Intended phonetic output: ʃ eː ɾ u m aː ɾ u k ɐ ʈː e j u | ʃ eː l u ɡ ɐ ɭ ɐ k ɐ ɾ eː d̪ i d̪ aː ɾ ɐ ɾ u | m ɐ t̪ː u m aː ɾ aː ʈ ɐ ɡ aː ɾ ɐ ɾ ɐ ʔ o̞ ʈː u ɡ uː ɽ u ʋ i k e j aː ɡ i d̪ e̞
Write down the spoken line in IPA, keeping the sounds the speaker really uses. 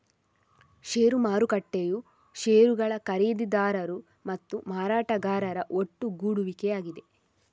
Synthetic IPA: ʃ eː ɾ u m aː ɾ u k ɐ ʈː e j u | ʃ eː ɾ u ɡ ɐ ɭ ɐ k ɐ ɾ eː d̪ i d̪ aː ɾ ɐ ɾ u | m ɐ t̪ː u m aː ɾ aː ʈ ɐ ɡ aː ɾ ɐ ɾ ɐ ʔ o̞ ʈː u ɡ uː ɽ u ʋ i k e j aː ɡ i d̪ e̞